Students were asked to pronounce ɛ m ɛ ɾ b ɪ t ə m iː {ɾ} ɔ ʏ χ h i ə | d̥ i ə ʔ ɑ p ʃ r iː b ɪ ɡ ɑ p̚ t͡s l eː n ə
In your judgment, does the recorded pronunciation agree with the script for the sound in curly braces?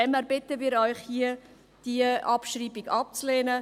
yes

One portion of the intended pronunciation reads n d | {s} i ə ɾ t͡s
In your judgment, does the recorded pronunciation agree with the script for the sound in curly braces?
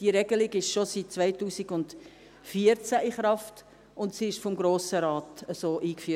no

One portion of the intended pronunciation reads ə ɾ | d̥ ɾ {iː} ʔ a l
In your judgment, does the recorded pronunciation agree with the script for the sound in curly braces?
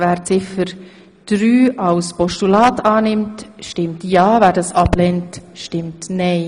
no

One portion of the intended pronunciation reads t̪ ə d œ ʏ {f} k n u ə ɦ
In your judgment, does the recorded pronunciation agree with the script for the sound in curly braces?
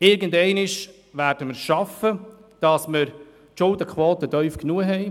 yes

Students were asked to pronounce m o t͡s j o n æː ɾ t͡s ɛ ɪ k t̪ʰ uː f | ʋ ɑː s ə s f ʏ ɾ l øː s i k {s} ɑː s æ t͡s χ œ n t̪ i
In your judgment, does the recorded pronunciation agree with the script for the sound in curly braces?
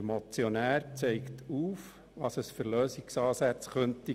yes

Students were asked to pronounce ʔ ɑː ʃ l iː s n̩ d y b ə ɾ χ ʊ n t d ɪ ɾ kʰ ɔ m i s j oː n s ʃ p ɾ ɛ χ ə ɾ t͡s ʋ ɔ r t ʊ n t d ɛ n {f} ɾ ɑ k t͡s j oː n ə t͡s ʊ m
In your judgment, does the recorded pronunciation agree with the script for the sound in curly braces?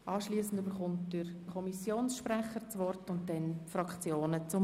yes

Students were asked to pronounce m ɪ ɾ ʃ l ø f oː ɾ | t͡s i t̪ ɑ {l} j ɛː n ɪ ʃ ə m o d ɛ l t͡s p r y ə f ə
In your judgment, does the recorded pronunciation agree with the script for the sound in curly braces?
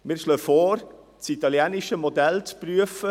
yes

